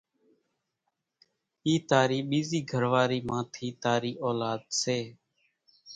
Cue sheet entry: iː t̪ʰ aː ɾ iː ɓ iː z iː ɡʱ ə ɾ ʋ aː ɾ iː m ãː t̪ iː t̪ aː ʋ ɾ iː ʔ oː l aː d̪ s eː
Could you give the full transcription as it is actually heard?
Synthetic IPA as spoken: iː t̪ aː ɾ iː ɓ iː z iː ɡʱ ə ɾ ʋ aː ɾ iː m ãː t̪ʰ iː t̪ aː ɾ iː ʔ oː l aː d̪ s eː